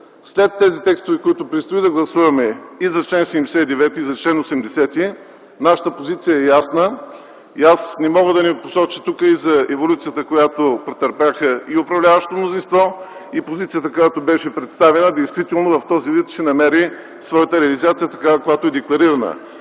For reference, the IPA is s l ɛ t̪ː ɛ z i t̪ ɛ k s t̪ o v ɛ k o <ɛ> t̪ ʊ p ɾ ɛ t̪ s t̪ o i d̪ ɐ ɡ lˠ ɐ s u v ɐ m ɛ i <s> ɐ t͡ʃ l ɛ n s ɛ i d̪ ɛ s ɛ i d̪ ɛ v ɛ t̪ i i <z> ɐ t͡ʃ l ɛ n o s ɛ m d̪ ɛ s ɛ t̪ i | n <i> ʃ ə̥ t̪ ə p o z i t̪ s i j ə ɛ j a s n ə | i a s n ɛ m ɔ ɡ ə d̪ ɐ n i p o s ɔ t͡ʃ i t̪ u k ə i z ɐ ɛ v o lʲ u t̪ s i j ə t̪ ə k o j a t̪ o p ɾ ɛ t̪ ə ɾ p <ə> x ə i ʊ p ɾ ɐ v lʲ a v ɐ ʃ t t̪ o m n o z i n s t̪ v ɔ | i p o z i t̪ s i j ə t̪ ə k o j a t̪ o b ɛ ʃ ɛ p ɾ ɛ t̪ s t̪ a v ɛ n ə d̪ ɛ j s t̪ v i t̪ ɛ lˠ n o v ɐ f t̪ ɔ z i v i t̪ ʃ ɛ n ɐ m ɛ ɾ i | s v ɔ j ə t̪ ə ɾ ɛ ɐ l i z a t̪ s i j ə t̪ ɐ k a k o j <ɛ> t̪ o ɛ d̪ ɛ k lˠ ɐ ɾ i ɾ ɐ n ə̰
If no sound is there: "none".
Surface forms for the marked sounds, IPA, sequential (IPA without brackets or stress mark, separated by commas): i, z, z, a, a, a